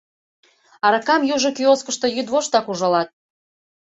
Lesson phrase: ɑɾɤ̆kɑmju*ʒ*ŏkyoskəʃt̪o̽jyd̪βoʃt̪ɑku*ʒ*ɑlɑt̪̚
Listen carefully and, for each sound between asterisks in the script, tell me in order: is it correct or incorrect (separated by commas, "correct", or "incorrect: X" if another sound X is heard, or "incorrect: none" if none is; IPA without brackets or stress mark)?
correct, correct